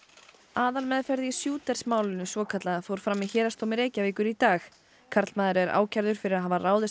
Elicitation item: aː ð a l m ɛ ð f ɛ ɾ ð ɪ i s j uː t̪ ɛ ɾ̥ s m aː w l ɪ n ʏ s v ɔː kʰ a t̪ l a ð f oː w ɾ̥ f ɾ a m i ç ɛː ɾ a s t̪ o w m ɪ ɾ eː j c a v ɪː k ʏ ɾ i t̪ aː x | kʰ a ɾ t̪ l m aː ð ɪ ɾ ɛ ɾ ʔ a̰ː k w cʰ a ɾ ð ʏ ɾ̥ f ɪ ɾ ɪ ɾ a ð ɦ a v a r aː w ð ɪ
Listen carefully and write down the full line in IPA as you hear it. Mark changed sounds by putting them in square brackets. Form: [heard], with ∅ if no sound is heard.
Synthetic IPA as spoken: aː ð a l m ɛ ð f ɛ ɾ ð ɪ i s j uː t̪ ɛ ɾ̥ s m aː w l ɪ n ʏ s v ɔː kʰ a t̪ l a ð f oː w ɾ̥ f ɾ a m i ç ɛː ɾ a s t̪ o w m ɪ ɾ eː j c a v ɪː k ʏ ɾ i t̪ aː x | kʰ a ɾ t̪ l m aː ð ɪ ɾ ɛ ɾ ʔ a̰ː [∅] w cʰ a ɾ ð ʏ ɾ̥ f ɪ ɾ ɪ ɾ a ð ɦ a v a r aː w ð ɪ